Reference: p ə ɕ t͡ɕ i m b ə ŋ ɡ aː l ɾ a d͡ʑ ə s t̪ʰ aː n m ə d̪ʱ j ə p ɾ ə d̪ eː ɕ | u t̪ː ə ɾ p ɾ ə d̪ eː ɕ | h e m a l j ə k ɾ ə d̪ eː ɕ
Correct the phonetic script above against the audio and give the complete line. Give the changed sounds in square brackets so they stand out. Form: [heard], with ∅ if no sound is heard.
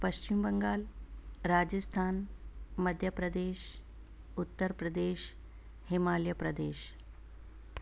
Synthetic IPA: p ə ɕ t͡ɕ i m b ə ŋ ɡ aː l ɾ a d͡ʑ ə s t̪ʰ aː n m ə d̪ʱ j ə p ɾ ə d̪ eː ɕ | u t̪ː ə ɾ p ɾ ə d̪ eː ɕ | h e m a l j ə [p] ɾ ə d̪ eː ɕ

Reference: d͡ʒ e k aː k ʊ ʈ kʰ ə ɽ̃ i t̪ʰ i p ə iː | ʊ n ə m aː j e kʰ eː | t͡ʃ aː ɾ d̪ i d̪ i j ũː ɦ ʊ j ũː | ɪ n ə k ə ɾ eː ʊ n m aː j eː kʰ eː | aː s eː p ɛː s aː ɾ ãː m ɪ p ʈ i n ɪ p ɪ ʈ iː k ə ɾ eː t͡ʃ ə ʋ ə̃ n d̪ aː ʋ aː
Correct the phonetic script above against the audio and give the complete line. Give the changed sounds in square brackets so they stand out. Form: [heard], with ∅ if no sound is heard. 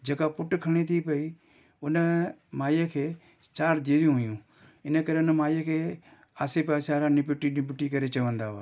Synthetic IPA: d͡ʒ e k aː [p] ʊ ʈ kʰ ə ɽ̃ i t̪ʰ i p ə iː | ʊ n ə m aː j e kʰ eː | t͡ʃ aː ɾ d̪ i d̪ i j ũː ɦ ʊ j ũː | ɪ n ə k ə ɾ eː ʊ n m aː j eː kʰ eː | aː s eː p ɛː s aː ɾ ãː [n] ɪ p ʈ i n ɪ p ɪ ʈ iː k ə ɾ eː t͡ʃ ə ʋ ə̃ n d̪ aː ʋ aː

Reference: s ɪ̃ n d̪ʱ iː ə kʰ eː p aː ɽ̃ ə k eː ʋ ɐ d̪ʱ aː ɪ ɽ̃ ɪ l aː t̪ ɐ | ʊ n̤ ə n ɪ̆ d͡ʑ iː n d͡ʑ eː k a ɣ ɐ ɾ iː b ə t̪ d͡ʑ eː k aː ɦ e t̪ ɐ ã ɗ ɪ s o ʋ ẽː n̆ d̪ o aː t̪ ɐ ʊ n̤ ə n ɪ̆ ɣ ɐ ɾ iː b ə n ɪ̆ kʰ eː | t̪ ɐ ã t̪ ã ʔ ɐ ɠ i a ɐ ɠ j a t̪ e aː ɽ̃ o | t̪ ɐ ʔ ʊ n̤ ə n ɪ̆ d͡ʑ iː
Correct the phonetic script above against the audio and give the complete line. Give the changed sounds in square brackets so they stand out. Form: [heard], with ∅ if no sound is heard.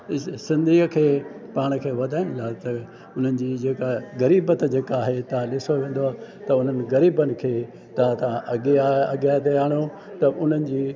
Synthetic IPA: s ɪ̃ n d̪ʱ iː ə kʰ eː p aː ɽ̃ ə [kʰ] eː ʋ ɐ d̪ʱ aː ɪ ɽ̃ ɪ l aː t̪ ɐ | ʊ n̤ ə n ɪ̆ d͡ʑ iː [∅] d͡ʑ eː k a ɣ ɐ ɾ iː b ə t̪ d͡ʑ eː k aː ɦ e t̪ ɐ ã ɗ ɪ s o ʋ ẽː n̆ d̪ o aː t̪ ɐ ʊ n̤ ə n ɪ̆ ɣ ɐ ɾ iː b ə n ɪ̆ kʰ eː | t̪ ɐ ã t̪ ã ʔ ɐ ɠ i a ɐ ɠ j a t̪ e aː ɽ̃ o | t̪ ɐ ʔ ʊ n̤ ə n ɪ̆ d͡ʑ iː

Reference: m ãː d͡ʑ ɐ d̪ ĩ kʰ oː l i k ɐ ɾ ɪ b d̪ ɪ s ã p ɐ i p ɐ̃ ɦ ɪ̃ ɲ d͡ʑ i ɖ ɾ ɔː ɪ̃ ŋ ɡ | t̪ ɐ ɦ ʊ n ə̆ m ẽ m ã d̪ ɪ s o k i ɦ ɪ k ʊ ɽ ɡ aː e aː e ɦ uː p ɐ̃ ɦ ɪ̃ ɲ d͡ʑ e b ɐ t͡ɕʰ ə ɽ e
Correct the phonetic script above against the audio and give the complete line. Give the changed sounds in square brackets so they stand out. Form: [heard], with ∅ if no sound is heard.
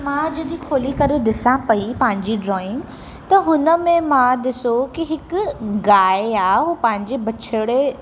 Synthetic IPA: m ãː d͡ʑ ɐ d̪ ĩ kʰ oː l i k ɐ ɾ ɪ [∅] d̪ ɪ s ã p ɐ i p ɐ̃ ɦ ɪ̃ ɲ d͡ʑ i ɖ ɾ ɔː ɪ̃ ŋ ɡ | t̪ ɐ ɦ ʊ n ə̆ m ẽ m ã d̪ ɪ s o k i ɦ ɪ k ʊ [∅] ɡ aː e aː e ɦ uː p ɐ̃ ɦ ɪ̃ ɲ d͡ʑ e b ɐ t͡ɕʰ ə ɽ e

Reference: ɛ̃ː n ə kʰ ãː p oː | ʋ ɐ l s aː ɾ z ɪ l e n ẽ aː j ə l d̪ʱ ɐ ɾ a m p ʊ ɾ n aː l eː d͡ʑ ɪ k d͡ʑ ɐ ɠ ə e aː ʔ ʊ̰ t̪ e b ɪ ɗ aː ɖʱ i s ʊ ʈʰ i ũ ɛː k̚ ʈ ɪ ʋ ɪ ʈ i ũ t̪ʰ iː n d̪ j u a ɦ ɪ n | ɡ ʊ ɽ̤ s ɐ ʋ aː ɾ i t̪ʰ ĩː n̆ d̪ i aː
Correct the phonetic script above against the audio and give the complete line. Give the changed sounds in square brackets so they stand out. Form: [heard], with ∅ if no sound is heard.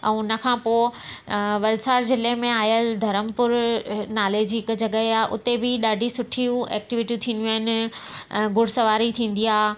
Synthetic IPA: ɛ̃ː n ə kʰ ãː p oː | ʋ ɐ l s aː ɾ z ɪ l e [m] ẽ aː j ə l d̪ʱ ɐ ɾ [ə] m p ʊ ɾ n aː l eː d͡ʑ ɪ k d͡ʑ ɐ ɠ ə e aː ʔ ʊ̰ t̪ e b ɪ ɗ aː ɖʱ i s ʊ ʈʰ i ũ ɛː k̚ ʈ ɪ ʋ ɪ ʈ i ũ t̪ʰ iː n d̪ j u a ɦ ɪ n | ɡ ʊ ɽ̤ s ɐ ʋ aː ɾ i t̪ʰ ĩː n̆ d̪ i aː

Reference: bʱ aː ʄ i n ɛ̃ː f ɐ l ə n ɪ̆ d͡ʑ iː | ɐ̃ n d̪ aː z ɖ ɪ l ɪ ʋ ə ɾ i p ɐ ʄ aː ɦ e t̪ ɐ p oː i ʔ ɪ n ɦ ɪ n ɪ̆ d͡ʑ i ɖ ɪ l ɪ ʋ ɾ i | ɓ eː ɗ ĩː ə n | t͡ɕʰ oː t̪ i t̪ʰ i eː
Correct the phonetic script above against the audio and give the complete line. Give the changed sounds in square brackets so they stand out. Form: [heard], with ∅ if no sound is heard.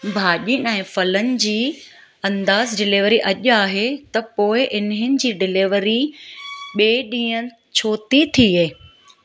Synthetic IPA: bʱ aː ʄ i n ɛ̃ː f ɐ l ə n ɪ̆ d͡ʑ iː | ɐ̃ n d̪ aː z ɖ ɪ l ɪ ʋ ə ɾ i [ʔ] ɐ ʄ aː ɦ e t̪ ɐ p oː [ɪ] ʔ ɪ n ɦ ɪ n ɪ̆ d͡ʑ [iː] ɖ ɪ l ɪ ʋ ɾ i | ɓ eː ɗ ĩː ə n | t͡ɕʰ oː t̪ i t̪ʰ i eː

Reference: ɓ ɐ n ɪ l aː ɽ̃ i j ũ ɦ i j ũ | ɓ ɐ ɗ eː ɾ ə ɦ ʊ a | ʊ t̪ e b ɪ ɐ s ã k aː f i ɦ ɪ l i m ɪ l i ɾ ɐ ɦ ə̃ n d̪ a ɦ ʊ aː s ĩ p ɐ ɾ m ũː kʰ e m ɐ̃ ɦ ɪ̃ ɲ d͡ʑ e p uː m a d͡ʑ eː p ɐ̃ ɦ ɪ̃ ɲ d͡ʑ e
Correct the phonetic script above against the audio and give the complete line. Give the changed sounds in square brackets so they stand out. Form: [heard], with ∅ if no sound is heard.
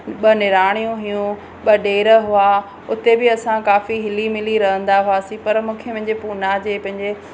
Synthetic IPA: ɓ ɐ n ɪ [ɾ] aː ɽ̃ i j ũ ɦ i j ũ | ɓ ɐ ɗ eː ɾ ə ɦ ʊ a | ʊ t̪ e b ɪ ɐ s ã k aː f i ɦ ɪ l i m ɪ l i ɾ ɐ ɦ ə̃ n d̪ a ɦ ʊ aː s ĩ p ɐ ɾ m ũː kʰ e m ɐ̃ ɦ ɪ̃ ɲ d͡ʑ e p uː [n] a d͡ʑ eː p ɐ̃ ɦ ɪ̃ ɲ d͡ʑ e

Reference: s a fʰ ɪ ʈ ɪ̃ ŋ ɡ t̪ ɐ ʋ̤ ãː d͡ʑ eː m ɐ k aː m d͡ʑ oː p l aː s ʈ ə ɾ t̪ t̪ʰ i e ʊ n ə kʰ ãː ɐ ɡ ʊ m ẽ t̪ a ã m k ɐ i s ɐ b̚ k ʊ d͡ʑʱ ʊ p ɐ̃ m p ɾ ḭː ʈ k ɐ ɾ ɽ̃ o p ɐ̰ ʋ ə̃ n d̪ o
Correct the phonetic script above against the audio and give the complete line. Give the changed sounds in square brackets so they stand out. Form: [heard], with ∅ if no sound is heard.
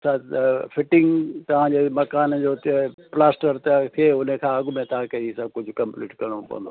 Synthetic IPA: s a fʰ ɪ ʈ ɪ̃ ŋ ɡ t̪ ɐ ʋ̤ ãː d͡ʑ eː m ɐ k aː [n] d͡ʑ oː p l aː s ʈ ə ɾ t̪ t̪ʰ i e ʊ n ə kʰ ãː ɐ ɡ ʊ m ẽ t̪ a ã [∅] k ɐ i s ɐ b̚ k ʊ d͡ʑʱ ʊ [k] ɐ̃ m p [l] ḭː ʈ k ɐ ɾ ɽ̃ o p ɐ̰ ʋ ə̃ n d̪ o

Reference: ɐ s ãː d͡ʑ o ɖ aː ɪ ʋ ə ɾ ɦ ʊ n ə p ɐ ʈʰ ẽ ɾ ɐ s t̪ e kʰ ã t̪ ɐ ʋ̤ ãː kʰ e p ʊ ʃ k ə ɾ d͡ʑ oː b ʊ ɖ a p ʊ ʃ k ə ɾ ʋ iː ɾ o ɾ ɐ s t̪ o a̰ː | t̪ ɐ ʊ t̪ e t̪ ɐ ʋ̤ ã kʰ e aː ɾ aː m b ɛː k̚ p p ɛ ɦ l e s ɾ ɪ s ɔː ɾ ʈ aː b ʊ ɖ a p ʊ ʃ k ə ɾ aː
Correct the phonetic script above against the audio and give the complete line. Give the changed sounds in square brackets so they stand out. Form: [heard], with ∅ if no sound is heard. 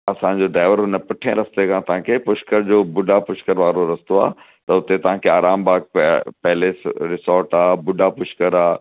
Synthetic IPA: ɐ s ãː d͡ʑ o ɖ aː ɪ ʋ ə ɾ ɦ ʊ n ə p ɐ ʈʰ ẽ ɾ ɐ s t̪ e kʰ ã t̪ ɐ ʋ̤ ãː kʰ e p ʊ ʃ k ə ɾ d͡ʑ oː b ʊ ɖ a p ʊ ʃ k ə ɾ ʋ [aː] ɾ o ɾ ɐ s t̪ o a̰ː | t̪ ɐ ʊ t̪ e t̪ ɐ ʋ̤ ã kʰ e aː ɾ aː m b [aː] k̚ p p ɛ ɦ l e s ɾ ɪ s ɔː ɾ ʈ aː b ʊ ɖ a p ʊ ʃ k ə ɾ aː

